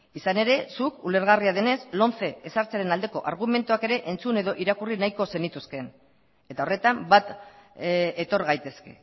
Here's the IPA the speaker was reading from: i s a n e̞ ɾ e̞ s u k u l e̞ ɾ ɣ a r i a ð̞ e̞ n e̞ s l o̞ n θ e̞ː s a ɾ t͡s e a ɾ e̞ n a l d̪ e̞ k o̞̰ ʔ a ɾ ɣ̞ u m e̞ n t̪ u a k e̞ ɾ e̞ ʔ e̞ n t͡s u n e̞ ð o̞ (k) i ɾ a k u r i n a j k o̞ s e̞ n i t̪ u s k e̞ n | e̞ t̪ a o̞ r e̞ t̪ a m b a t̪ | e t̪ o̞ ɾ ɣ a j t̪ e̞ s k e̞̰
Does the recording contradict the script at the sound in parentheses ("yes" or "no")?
yes